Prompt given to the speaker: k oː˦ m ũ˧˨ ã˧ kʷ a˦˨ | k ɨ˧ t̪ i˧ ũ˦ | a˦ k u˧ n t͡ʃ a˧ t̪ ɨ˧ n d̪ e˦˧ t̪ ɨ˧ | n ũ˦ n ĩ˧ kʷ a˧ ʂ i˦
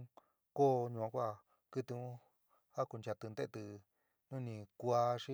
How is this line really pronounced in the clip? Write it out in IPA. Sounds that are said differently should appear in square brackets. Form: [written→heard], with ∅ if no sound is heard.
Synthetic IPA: k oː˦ [m→ɲ] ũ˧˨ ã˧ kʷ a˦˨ | k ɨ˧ t̪ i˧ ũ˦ | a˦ k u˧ n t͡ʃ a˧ t̪ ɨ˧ n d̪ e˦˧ t̪ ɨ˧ | n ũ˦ n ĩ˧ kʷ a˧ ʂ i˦